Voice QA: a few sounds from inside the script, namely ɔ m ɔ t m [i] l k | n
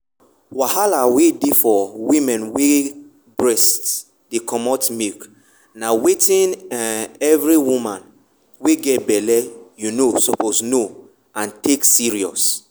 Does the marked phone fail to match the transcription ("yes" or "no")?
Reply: no